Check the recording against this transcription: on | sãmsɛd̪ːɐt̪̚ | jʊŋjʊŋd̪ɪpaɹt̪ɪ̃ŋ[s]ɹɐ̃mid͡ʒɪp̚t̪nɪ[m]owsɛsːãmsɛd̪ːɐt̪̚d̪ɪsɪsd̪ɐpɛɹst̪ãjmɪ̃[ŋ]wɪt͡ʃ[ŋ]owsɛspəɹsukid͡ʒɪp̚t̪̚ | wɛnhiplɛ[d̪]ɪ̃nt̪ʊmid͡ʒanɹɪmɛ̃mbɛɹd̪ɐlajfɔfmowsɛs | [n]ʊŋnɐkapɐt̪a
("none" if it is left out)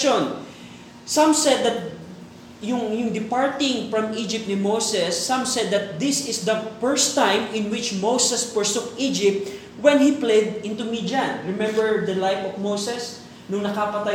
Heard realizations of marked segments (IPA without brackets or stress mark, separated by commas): f, m, n, m, d̪, n